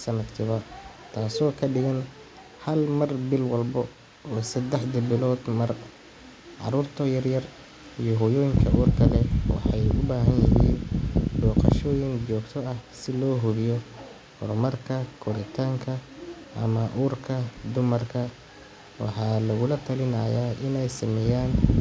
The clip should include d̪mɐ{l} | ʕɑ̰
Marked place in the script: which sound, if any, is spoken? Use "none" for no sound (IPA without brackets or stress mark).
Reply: r